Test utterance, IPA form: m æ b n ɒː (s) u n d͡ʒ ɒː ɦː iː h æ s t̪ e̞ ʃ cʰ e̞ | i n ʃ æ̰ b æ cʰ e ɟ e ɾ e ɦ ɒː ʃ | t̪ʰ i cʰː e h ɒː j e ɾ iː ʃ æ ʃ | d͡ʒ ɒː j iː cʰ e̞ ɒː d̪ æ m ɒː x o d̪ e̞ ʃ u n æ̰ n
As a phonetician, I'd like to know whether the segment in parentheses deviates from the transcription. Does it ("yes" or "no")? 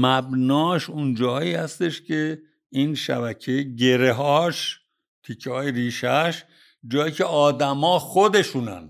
yes